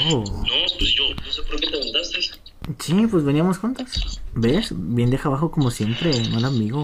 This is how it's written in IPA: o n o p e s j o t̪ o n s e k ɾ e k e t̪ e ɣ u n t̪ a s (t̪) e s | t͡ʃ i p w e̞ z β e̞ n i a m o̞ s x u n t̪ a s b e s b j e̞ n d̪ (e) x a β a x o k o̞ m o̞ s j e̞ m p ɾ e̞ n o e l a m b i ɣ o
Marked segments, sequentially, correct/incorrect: correct, correct

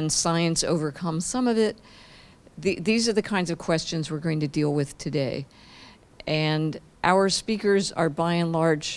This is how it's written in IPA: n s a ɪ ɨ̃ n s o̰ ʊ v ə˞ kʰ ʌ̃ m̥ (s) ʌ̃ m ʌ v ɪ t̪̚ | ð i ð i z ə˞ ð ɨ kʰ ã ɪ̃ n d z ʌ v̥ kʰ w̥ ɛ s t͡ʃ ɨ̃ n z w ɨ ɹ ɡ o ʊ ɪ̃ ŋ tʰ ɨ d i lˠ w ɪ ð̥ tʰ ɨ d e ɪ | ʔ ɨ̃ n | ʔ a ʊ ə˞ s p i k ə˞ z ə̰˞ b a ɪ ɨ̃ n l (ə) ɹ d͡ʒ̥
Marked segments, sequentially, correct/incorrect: correct, incorrect

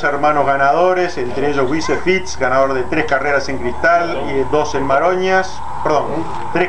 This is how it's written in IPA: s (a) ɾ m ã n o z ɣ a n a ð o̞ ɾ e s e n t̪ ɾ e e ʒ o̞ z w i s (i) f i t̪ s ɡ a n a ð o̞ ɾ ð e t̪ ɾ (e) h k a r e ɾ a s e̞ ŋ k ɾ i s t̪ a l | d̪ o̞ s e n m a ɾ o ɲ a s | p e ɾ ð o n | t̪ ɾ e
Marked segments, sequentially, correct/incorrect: incorrect, incorrect, correct

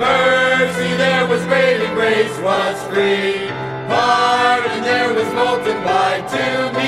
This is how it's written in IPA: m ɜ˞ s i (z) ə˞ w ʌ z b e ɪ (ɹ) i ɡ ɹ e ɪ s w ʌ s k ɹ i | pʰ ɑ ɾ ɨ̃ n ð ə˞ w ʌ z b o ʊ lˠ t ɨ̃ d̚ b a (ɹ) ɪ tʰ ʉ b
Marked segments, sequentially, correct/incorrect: incorrect, incorrect, incorrect

